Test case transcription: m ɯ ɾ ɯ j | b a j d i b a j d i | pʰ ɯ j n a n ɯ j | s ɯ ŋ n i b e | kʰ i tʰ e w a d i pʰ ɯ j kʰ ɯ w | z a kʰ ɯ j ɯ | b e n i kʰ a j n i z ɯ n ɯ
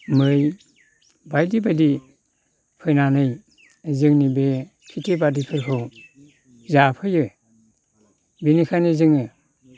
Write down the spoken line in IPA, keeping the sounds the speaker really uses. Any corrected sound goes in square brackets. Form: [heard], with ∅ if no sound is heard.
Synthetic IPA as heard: m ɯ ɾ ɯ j | b a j d i b a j d i | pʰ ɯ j n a n ɯ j | [z] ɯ ŋ n i b e | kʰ i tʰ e [b] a d i pʰ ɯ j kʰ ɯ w | z a [pʰ] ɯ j ɯ | b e n i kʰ a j n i z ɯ [ŋ] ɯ